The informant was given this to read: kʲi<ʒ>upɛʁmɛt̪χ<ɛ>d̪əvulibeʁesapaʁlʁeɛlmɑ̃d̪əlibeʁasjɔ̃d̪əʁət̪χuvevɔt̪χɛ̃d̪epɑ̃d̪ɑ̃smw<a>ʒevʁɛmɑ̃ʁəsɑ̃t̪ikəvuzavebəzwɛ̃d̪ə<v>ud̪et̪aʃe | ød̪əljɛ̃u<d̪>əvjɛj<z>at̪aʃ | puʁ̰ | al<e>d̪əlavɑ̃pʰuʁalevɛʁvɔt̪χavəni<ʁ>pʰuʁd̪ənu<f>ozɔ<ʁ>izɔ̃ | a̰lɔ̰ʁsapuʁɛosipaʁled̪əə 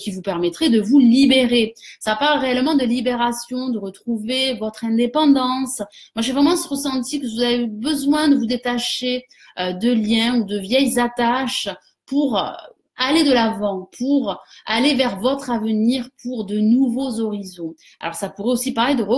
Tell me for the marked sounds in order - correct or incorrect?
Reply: incorrect, correct, correct, correct, correct, correct, correct, correct, incorrect, correct

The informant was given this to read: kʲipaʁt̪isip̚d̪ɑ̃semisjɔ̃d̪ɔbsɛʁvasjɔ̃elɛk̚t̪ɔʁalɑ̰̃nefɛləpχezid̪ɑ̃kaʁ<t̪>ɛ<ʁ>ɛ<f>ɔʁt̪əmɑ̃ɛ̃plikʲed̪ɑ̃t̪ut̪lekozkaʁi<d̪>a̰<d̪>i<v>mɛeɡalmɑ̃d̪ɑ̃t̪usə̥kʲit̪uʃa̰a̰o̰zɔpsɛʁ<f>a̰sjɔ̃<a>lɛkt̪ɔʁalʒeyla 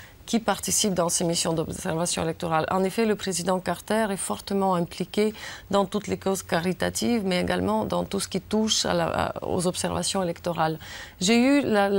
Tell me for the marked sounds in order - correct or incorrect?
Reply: correct, correct, correct, incorrect, incorrect, correct, incorrect, incorrect

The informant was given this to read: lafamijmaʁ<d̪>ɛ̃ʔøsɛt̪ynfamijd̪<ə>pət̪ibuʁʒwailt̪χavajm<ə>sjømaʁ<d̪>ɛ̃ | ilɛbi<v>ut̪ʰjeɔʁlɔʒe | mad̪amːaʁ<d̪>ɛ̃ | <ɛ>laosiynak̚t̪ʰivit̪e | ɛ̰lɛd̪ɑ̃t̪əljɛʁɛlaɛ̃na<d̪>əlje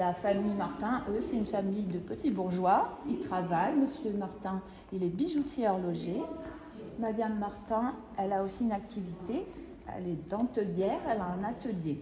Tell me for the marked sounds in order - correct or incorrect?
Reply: incorrect, correct, correct, incorrect, incorrect, incorrect, correct, incorrect

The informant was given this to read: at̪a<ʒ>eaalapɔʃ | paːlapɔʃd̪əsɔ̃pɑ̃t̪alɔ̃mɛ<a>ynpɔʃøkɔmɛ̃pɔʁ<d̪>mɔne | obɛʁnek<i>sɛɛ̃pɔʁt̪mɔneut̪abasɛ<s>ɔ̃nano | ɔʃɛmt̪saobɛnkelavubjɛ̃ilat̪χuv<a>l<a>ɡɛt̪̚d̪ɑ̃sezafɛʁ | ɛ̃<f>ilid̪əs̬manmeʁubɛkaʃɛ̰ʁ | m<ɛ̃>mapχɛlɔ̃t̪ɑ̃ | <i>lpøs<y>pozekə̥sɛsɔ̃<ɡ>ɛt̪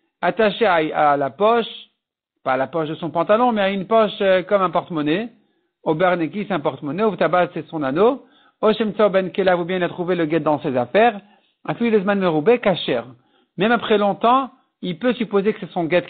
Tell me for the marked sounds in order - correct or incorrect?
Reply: incorrect, correct, incorrect, correct, correct, incorrect, incorrect, correct, incorrect, correct, correct, correct

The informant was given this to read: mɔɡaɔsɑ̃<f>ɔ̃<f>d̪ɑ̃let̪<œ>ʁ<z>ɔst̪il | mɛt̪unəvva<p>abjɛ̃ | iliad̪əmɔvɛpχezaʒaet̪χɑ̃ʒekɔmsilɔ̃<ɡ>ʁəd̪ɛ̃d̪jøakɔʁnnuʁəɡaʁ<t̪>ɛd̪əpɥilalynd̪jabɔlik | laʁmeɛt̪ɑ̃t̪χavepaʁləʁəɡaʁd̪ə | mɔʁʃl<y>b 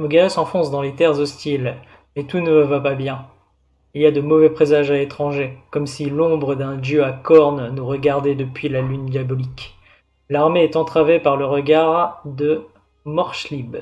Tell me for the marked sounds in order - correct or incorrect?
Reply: correct, incorrect, incorrect, correct, correct, incorrect, incorrect, incorrect

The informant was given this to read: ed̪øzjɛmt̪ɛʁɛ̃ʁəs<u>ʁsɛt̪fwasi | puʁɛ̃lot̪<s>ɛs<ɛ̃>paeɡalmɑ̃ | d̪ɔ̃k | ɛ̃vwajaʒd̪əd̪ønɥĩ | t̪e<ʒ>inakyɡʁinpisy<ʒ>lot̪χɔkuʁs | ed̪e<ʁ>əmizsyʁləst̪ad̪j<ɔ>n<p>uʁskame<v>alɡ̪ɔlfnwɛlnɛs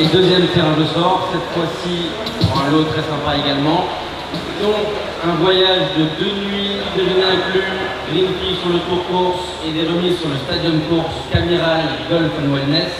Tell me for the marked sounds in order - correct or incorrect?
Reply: incorrect, incorrect, correct, incorrect, incorrect, correct, correct, incorrect, incorrect

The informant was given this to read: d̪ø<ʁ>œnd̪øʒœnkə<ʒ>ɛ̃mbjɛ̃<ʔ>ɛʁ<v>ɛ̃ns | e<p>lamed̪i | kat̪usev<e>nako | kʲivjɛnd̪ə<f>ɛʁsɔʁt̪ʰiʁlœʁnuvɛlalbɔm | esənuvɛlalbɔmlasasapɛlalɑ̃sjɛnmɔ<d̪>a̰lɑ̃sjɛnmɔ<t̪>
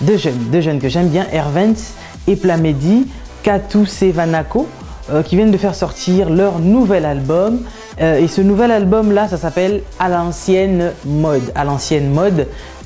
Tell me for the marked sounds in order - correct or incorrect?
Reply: incorrect, correct, correct, correct, correct, incorrect, correct, correct, incorrect

